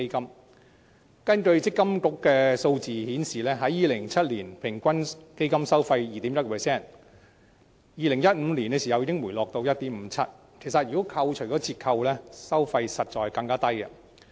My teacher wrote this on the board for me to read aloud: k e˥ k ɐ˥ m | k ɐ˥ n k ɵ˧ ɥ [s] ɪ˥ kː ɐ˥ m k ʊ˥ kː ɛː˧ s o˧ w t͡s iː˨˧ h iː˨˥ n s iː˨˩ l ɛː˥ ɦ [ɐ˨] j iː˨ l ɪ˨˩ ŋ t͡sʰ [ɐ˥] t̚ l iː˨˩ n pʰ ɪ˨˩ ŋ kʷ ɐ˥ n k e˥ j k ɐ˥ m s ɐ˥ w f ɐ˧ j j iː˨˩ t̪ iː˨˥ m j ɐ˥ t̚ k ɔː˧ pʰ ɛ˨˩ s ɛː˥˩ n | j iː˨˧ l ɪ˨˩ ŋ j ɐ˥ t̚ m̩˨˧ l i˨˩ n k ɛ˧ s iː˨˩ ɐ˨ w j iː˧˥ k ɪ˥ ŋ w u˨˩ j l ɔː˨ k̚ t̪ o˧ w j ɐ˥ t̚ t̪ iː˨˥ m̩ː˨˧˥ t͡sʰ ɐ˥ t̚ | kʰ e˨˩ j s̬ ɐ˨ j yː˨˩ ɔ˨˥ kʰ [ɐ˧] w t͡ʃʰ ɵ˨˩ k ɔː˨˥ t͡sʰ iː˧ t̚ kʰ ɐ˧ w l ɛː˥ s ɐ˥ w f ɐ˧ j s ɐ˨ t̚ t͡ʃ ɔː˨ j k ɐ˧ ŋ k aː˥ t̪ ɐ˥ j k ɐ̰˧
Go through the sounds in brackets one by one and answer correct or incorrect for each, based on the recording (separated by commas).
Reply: incorrect, incorrect, correct, correct